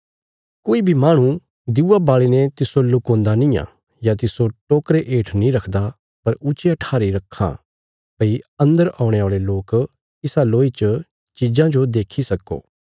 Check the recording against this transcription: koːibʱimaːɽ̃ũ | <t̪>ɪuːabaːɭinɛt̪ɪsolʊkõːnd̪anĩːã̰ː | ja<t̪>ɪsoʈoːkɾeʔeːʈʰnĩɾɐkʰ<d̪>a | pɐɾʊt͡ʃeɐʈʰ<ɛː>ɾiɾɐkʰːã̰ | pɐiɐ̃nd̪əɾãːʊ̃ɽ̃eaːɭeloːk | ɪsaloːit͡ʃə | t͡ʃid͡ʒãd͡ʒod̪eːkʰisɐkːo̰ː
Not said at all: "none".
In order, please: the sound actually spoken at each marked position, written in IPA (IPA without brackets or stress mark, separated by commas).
d̪, t̪, d̪, aː